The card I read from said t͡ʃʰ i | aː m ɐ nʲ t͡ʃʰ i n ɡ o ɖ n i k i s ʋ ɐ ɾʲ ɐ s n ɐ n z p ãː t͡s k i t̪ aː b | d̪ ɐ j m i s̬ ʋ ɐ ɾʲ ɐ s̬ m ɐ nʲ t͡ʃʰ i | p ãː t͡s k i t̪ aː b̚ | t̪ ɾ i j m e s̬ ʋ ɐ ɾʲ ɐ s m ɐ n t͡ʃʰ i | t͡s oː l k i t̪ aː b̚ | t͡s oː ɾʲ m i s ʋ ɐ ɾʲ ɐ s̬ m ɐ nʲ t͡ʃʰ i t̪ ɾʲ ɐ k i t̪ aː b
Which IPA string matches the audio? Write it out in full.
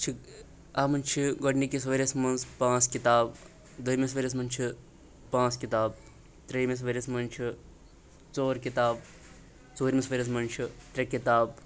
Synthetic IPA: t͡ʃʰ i | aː m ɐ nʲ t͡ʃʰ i ɡ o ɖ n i k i s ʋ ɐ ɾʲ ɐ s m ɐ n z p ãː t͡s k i t̪ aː b | d̪ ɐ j m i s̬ ʋ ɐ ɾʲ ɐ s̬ m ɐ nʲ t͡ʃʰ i | p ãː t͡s k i t̪ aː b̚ | t̪ ɾ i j m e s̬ ʋ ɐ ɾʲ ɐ s m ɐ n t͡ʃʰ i | t͡s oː ɾ k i t̪ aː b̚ | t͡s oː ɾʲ m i s ʋ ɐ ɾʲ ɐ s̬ m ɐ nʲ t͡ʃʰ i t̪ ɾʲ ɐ k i t̪ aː b